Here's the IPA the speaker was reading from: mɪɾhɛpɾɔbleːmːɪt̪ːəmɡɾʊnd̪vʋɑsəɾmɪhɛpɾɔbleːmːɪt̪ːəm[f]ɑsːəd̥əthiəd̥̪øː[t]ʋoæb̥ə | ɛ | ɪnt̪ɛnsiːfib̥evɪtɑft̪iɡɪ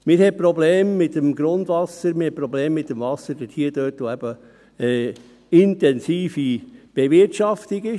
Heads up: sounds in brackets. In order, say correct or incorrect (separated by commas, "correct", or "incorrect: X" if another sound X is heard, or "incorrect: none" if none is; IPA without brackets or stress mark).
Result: incorrect: v, correct